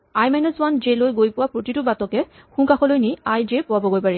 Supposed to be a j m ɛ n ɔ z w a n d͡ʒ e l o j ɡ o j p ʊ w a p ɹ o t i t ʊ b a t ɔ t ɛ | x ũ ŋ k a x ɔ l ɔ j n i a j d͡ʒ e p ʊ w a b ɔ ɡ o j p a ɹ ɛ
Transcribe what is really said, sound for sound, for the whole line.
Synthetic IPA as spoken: a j m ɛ n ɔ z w a n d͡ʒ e l o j ɡ o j p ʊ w a p ɹ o t i t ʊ b a t ɔ k ɛ | x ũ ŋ k a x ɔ l o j n i a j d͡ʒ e p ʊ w a b ɔ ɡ o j p a ɹ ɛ

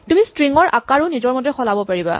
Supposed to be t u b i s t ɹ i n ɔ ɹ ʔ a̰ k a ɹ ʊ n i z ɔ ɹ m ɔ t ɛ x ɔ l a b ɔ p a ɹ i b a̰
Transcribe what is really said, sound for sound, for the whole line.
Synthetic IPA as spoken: t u m i s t ɹ i ŋ ɔ ɹ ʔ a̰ k a ɹ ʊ n i z ɔ ɹ m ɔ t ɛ x ɔ l a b ɔ p a ɹ i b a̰

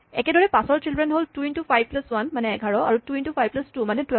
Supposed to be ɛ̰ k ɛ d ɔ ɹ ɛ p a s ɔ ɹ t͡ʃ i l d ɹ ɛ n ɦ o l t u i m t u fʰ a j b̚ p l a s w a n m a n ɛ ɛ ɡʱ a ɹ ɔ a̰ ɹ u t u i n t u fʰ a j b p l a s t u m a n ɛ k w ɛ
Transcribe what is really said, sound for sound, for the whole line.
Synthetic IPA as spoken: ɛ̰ k ɛ d ɔ ɹ ɛ p a s ɔ ɹ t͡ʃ i l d ɹ ɛ n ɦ o l t u i n t u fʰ a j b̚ p l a s w a n m a n ɛ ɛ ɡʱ a ɹ ɔ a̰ ɹ u t u i n t u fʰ a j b p l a s t u m a n ɛ t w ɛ

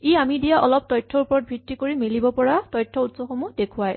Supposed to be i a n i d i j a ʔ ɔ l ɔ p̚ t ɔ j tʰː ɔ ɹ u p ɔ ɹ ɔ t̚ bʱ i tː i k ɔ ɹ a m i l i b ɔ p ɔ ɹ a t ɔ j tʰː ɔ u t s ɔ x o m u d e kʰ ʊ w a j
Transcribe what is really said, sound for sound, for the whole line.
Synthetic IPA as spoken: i a m i d i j a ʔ ɔ l ɔ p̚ t ɔ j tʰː ɔ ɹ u p ɔ ɹ ɔ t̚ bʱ i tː i k o ɹ i m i l i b ɔ p ɔ ɹ a t ɔ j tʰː ɔ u t s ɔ x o m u d e kʰ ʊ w a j

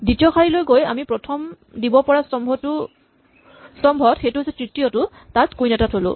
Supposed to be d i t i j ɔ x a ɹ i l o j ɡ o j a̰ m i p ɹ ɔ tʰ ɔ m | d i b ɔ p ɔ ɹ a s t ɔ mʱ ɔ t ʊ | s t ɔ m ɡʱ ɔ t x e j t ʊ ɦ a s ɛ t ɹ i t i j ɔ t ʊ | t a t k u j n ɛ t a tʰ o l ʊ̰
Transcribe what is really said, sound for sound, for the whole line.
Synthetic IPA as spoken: d i t i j ɔ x a ɹ i l o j ɡ o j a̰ m i p ɹ ɔ tʰ ɔ m | d i b ɔ p ɔ ɹ a s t ɔ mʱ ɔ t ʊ | s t ɔ m bʱ ɔ t x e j t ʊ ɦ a s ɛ t ɹ i t i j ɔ t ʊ | t a t k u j n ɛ t a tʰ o l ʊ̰

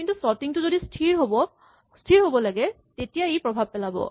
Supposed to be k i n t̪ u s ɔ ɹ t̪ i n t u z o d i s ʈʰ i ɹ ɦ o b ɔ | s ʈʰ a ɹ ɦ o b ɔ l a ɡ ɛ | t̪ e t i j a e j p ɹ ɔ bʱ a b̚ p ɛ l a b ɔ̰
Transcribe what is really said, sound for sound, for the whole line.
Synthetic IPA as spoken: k i n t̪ u s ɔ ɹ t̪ i ŋ t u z o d i s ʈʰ i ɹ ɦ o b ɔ | s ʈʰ i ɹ ɦ o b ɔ l a ɡ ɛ | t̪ e t i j a e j p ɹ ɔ bʱ a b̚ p ɛ l a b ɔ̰

